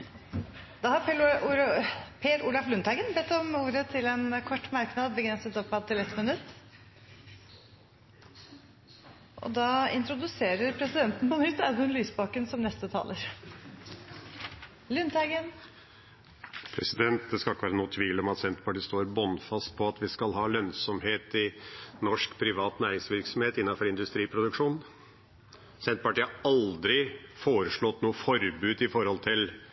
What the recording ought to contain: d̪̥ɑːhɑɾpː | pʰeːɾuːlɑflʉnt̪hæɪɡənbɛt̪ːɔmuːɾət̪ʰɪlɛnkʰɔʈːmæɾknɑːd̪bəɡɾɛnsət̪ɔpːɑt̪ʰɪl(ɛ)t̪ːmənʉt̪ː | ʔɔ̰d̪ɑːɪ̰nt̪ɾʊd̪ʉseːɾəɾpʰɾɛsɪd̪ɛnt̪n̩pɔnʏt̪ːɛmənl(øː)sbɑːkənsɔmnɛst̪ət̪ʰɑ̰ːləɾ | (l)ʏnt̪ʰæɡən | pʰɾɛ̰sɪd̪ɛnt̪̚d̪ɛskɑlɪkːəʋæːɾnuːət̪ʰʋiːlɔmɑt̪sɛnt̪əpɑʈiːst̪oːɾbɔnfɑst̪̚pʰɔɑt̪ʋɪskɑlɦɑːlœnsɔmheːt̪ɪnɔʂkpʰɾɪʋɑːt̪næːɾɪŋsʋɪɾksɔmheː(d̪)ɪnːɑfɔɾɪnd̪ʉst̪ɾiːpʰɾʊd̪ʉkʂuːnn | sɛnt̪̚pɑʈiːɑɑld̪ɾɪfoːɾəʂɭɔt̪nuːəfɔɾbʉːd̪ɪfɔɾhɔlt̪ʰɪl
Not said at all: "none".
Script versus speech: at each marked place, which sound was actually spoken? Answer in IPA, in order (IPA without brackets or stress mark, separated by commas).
ɛ, yː, l, t̪